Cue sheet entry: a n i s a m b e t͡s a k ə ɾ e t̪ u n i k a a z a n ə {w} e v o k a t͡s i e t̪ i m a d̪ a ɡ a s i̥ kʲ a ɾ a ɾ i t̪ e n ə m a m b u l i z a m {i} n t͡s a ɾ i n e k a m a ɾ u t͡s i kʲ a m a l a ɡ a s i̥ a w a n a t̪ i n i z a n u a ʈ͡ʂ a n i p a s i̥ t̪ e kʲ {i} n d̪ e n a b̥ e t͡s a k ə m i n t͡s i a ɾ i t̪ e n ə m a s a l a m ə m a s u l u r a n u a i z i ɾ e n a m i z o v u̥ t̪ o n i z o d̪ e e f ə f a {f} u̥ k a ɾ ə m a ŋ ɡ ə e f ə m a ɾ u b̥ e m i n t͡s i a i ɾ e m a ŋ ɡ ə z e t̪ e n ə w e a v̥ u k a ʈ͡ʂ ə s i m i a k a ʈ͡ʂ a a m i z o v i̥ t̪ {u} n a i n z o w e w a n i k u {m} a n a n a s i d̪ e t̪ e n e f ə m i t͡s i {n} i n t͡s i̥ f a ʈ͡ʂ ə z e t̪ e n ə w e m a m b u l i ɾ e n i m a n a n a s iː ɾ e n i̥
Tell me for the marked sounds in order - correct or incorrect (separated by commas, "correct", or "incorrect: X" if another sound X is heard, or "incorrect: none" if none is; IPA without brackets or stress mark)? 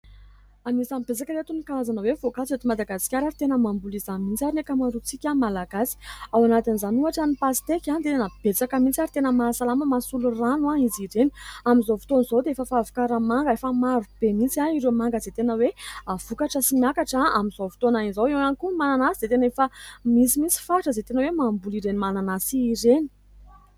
correct, correct, incorrect: a, incorrect: v, incorrect: o, correct, incorrect: m